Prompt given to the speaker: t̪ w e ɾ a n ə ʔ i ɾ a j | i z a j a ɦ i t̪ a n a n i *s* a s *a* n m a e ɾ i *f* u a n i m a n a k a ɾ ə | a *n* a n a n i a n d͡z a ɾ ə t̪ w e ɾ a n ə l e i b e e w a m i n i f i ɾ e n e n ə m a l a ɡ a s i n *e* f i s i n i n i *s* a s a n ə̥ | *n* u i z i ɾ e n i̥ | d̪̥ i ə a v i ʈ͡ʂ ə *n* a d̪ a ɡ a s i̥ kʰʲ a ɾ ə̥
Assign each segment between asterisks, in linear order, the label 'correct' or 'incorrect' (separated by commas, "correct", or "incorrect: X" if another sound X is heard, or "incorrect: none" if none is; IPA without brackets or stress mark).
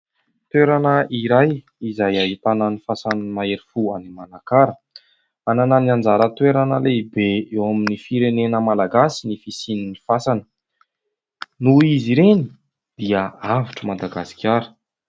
incorrect: f, correct, correct, correct, incorrect: i, incorrect: f, correct, incorrect: m